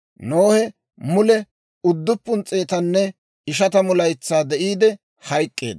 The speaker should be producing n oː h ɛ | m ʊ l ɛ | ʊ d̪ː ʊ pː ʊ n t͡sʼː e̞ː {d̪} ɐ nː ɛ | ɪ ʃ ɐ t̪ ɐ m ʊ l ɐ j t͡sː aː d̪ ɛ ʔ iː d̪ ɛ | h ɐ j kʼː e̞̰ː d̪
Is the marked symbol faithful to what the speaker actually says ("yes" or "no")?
no